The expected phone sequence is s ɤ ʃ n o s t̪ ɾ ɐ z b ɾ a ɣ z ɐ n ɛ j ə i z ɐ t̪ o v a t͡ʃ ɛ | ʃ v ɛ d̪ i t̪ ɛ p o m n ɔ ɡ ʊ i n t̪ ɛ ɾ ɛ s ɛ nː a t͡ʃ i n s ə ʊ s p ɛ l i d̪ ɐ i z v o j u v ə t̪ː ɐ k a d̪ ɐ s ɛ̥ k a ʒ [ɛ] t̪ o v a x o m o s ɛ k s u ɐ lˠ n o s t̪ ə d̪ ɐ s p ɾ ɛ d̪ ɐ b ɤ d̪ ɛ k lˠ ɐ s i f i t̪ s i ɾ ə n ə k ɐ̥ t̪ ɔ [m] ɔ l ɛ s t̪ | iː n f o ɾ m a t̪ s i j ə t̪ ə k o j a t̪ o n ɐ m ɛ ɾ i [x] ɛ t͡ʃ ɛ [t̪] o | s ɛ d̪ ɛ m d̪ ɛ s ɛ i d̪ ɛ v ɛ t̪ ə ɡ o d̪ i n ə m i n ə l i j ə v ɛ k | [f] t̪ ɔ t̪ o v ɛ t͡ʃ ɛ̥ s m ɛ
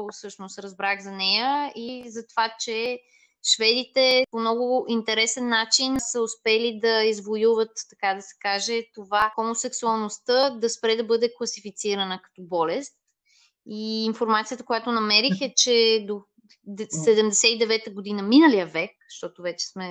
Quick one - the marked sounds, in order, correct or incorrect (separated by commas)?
correct, incorrect, correct, incorrect, incorrect